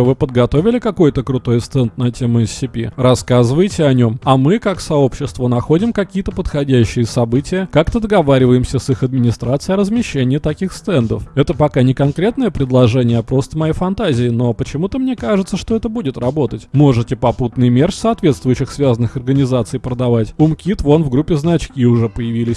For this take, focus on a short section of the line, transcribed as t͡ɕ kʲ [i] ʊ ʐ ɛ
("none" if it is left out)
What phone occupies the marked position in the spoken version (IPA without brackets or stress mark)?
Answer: i